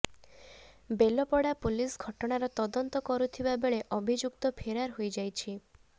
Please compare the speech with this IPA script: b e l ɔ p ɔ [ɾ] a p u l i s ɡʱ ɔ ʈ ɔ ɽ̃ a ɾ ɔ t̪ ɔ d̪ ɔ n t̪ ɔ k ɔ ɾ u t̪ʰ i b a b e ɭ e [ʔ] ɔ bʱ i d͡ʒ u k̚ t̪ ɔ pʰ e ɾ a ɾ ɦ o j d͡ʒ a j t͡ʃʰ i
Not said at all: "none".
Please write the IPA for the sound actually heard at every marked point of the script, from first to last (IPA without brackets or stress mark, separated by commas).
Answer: ɽ, ʔ